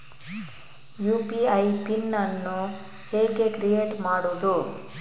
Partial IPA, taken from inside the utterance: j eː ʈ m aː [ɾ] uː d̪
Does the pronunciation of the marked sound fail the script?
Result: yes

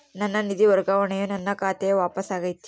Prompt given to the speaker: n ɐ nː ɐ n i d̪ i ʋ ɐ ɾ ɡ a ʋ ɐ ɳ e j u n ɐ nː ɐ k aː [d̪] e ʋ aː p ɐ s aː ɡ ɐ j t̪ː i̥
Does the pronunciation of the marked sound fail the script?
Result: yes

